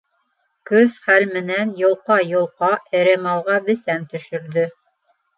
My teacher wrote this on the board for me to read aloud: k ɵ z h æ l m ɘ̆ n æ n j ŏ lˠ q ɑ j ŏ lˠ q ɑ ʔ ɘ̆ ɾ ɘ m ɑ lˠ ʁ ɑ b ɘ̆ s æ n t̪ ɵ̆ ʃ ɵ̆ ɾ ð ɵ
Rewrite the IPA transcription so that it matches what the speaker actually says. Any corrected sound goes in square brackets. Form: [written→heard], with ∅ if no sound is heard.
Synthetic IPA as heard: k ɵ z [h→χ] æ l m ɘ̆ n æ n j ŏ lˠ q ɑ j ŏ lˠ q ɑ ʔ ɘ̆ ɾ ɘ m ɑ lˠ ʁ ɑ b ɘ̆ s æ n t̪ ɵ̆ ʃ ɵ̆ ɾ ð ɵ

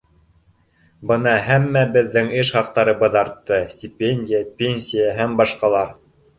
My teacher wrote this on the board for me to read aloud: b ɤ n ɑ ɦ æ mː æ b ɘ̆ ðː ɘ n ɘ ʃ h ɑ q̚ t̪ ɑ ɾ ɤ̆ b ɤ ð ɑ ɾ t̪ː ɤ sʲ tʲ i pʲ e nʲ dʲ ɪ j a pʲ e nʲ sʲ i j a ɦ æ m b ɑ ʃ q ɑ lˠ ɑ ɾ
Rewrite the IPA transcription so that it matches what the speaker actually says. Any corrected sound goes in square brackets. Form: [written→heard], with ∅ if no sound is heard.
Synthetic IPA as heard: b ɤ n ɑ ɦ æ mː æ b ɘ̆ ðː ɘ [n→ŋ] ɘ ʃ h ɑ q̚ t̪ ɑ ɾ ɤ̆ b ɤ ð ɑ ɾ t̪ː ɤ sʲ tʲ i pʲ e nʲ dʲ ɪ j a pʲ e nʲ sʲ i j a ɦ æ m b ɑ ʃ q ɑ lˠ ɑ ɾ

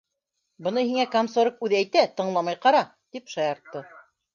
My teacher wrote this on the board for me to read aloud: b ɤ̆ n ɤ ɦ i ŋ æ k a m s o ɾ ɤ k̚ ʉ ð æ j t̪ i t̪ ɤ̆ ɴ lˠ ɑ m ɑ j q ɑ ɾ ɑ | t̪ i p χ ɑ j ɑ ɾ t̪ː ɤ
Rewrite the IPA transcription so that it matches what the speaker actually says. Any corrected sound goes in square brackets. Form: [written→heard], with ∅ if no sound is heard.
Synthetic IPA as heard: b ɤ̆ n ɤ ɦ i ŋ æ k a m s o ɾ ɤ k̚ ʉ ð æ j t̪ [i→æ] t̪ ɤ̆ ɴ lˠ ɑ m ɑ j q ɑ ɾ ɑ | t̪ i p [χ→ʃ] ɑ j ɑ ɾ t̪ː ɤ

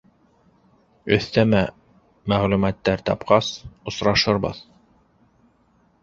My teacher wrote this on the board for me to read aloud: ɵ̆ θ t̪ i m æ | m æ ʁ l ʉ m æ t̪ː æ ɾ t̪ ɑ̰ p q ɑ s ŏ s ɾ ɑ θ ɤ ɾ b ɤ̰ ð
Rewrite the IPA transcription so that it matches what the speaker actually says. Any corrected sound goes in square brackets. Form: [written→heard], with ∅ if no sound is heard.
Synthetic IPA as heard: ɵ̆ θ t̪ [i→æ] m æ | m æ ʁ l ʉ m æ t̪ː æ ɾ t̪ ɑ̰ p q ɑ s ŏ s ɾ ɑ [θ→ʃ] ɤ ɾ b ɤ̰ ð

